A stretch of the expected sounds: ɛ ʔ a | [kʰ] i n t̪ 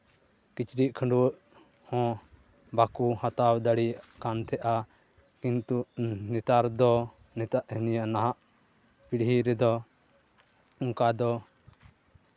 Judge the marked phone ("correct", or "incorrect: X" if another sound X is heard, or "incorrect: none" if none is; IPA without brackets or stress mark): incorrect: k